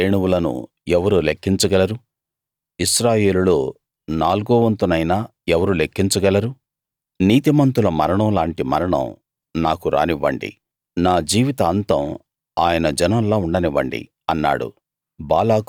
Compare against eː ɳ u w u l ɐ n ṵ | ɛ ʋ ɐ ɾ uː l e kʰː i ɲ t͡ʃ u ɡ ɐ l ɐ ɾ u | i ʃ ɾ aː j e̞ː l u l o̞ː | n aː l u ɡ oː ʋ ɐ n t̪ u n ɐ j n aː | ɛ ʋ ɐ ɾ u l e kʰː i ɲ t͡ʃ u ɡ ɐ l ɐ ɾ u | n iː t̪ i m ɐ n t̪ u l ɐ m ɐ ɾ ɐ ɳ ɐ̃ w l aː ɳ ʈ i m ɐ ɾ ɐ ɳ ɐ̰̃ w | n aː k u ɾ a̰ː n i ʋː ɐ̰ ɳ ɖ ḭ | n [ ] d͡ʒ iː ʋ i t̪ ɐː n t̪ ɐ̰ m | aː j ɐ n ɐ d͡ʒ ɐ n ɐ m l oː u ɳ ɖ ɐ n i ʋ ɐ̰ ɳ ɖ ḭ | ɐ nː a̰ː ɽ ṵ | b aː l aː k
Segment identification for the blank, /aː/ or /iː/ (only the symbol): aː